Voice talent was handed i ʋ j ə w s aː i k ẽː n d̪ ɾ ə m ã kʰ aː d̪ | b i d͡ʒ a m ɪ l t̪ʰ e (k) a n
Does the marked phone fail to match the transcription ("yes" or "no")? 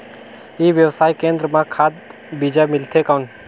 no